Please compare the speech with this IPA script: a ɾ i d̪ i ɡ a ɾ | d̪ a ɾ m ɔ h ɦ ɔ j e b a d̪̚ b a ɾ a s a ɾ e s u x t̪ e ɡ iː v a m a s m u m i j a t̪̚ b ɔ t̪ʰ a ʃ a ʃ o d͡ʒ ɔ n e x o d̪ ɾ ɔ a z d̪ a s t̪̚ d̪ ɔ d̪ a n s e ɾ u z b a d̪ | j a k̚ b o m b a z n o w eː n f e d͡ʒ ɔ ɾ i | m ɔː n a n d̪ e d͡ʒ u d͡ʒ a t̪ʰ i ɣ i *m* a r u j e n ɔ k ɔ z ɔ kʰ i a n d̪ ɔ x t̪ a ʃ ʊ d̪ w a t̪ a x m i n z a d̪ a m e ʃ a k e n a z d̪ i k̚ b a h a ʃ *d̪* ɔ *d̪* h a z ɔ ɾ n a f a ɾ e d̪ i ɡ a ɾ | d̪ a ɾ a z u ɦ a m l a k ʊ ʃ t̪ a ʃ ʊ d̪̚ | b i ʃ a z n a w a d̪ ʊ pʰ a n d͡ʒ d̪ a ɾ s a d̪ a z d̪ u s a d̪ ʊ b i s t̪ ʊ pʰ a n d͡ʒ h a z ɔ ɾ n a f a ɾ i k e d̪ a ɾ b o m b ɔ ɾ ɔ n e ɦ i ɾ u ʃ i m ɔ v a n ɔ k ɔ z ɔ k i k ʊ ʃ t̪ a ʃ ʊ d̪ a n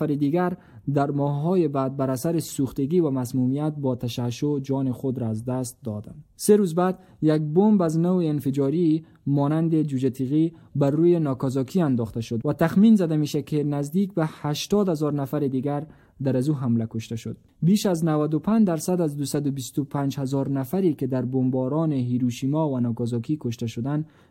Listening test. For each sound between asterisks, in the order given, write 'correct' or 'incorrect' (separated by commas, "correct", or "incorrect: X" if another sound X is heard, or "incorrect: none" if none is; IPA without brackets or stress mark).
incorrect: b, incorrect: t̪, correct